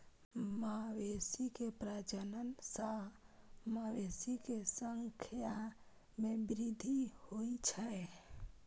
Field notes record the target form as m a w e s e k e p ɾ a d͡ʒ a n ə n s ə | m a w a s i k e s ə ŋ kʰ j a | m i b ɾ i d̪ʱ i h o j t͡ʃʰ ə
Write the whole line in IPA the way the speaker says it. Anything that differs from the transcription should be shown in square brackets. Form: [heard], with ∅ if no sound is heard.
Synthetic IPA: m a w e s [i] k e p ɾ a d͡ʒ [ə] n ə n s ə | m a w [e] s i k e s ə ŋ kʰ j a | m [e] b ɾ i d̪ʱ i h o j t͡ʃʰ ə